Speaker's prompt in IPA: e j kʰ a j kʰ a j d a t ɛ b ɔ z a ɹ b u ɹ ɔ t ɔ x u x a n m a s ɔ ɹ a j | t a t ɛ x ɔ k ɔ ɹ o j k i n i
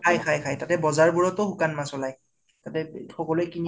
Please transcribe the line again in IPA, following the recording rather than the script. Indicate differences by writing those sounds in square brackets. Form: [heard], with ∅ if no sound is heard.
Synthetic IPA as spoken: [a] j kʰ a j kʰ a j [t] a t ɛ b ɔ z a ɹ b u ɹ ɔ t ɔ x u [k] a n m a s ɔ [l] a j | t a t ɛ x ɔ k ɔ [l] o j k i n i